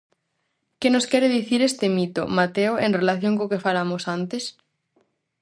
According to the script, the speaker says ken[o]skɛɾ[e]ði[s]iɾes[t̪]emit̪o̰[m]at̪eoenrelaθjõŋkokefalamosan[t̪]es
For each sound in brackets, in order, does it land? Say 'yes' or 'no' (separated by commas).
yes, yes, no, yes, yes, yes